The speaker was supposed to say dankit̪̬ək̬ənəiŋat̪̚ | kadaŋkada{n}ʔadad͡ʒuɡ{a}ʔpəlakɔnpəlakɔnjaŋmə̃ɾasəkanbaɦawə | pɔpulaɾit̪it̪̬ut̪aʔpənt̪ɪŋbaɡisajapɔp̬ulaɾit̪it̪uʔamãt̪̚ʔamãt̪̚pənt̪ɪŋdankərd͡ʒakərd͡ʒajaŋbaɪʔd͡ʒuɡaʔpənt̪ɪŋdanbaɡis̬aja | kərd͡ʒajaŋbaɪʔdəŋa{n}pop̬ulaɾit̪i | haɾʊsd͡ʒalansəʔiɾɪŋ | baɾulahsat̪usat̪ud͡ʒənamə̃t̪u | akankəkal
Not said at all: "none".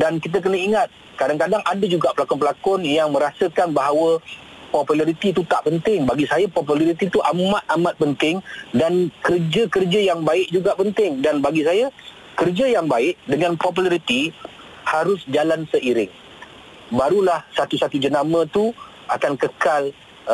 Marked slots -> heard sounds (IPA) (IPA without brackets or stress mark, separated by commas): ŋ, a, n